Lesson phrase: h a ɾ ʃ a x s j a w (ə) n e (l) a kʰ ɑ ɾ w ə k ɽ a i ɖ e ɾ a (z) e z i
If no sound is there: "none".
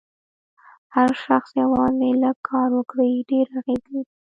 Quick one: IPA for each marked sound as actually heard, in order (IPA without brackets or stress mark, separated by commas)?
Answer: ɑ, l, ɣ